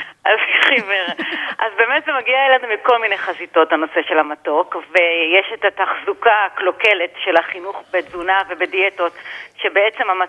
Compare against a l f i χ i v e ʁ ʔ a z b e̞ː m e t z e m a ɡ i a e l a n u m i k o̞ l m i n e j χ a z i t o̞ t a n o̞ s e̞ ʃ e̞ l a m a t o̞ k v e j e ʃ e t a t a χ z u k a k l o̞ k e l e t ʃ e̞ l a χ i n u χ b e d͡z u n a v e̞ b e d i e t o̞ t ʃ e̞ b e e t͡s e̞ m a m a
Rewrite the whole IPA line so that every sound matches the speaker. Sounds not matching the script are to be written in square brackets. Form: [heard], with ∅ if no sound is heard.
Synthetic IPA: a l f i χ i v e ʁ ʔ a z b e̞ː m e t z e m a ɡ i a e l a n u m i k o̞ l m i n e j χ a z i t o̞ t a n o̞ s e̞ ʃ e̞ l a m a t o̞ k v e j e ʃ e t a t a χ z u k a k l o̞ k e l e t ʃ e̞ l a χ i n u χ b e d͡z u n a v e̞ b e d i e t o̞ t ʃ e̞ b e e t͡s e̞ m a m a